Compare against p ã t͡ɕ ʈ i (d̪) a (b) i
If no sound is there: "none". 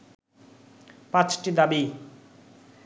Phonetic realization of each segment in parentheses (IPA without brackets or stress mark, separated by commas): d̪, b